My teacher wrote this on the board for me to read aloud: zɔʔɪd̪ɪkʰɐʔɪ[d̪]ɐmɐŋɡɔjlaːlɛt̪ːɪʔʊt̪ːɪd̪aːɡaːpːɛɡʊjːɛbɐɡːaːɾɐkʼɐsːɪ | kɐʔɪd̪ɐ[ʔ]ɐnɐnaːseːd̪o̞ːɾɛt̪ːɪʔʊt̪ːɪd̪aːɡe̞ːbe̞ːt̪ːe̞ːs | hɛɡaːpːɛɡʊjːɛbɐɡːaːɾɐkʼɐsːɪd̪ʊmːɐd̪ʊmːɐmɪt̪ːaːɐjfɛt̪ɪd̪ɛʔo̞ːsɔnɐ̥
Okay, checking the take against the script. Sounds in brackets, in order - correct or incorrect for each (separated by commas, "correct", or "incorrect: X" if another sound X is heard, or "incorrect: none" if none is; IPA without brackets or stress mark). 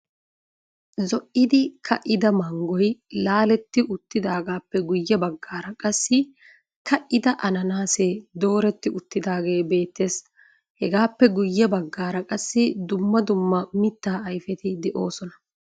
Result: correct, correct